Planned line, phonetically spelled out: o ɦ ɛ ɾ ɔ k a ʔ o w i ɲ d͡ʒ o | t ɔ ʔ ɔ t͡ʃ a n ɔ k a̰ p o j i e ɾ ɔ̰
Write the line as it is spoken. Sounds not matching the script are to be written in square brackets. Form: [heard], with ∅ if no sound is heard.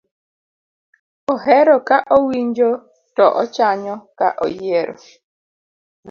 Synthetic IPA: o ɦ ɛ ɾ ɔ k a ʔ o w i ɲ d͡ʒ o | t ɔ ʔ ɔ t͡ʃ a [ɲ] ɔ k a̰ [ʔ] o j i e ɾ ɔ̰